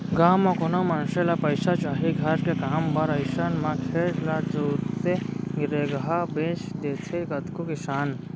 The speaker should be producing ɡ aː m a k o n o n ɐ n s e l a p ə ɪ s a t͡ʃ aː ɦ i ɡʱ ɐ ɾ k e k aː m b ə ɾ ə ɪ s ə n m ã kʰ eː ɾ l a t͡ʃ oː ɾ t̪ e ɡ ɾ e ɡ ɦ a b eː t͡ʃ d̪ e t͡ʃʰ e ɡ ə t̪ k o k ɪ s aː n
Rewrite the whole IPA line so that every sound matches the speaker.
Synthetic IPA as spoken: ɡ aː m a k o n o m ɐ n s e l a p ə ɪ s a t͡ʃ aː ɦ i ɡʱ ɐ ɾ k e k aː m b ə ɾ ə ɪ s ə n m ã kʰ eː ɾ l a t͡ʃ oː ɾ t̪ e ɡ ɾ e ɡ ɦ a b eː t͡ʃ d̪ e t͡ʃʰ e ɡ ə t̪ k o k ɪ s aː n